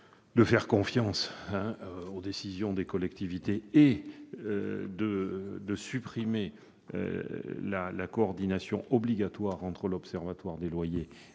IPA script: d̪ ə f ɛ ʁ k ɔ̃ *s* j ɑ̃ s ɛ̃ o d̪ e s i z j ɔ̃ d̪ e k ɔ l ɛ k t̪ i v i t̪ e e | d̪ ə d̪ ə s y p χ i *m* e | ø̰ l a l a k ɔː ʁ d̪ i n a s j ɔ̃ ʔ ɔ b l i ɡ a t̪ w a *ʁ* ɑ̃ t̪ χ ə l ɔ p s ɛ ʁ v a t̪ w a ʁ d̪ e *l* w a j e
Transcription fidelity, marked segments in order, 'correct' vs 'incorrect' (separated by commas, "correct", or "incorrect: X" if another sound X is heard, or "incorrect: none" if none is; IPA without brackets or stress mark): incorrect: f, correct, correct, correct